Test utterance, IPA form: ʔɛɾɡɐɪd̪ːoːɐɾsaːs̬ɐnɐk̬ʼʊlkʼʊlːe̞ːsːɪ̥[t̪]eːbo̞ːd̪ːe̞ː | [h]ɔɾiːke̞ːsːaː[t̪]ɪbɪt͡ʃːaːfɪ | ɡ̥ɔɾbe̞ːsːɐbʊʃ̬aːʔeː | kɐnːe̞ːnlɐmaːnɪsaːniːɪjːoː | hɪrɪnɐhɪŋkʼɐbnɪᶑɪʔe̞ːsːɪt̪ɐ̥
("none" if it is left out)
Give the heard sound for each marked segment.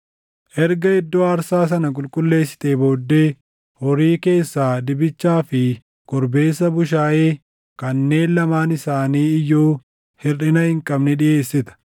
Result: t̪, h, d̪

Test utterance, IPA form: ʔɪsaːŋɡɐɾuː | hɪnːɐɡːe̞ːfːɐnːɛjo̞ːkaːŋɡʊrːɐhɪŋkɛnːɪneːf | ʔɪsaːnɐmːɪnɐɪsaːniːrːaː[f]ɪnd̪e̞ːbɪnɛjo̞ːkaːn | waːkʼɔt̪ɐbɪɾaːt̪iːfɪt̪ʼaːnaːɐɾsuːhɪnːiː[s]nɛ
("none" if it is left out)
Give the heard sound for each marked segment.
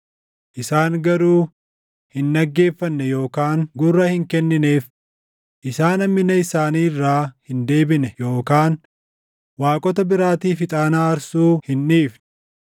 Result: h, f

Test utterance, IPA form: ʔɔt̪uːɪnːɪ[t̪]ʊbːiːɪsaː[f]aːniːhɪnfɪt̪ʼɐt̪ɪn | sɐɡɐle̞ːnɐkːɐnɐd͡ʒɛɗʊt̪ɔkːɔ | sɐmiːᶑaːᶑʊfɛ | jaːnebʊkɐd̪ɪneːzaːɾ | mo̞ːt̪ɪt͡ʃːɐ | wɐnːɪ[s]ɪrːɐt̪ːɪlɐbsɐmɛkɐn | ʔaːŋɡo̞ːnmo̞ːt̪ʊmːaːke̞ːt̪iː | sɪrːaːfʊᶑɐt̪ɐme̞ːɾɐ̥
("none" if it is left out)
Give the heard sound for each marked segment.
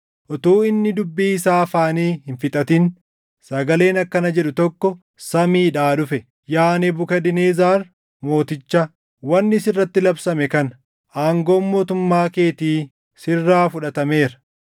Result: d̪, f, s

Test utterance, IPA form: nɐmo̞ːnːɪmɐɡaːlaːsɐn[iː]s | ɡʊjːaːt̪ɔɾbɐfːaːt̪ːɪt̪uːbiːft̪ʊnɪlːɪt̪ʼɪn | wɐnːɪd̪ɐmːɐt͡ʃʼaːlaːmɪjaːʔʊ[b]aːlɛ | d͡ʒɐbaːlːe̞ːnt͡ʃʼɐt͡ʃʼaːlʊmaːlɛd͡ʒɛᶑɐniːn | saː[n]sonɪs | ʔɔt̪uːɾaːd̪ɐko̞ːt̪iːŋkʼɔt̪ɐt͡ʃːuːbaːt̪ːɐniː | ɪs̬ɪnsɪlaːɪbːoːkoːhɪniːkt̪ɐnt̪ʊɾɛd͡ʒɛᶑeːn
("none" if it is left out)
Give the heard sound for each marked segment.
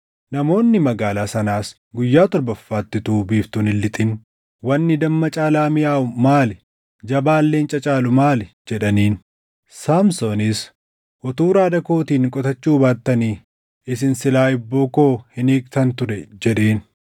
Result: aː, m, m

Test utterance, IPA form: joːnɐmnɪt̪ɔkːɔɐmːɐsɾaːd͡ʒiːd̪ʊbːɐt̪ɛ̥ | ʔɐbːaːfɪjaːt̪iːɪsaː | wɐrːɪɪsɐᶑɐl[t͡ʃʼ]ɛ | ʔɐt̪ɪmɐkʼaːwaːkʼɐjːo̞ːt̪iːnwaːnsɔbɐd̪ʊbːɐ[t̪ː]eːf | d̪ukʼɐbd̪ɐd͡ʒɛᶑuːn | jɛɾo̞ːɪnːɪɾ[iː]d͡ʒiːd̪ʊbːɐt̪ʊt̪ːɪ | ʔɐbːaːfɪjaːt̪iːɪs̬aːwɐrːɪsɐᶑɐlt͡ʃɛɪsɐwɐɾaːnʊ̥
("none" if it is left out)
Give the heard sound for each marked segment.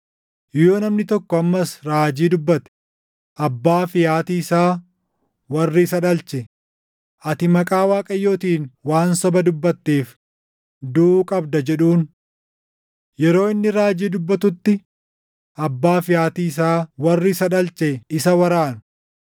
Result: t͡ʃ, t̪ː, aː

